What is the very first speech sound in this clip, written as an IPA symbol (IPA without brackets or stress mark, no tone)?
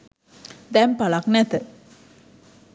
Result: d̪